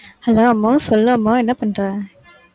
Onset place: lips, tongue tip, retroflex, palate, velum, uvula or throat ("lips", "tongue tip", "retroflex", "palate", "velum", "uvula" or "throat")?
throat